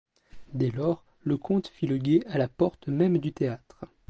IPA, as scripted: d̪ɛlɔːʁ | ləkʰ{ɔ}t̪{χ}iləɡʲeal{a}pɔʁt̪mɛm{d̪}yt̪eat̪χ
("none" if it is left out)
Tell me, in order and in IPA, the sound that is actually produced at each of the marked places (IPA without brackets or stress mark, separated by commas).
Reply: ɔ̃, f, a, d̪